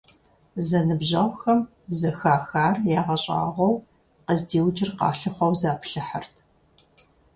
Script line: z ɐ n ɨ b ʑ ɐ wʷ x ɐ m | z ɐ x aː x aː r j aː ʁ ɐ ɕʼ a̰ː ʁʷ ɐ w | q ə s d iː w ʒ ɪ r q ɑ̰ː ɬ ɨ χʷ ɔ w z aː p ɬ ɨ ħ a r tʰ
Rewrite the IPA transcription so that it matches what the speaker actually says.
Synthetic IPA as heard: z ɐ n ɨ b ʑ ɐ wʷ x ɐ m | z ɐ x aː x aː r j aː ʁ ɐ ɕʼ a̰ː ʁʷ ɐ w | q ə z d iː w d͡ʒ ɪ r q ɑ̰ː ɬ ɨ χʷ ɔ w z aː p ɬ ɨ ħ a r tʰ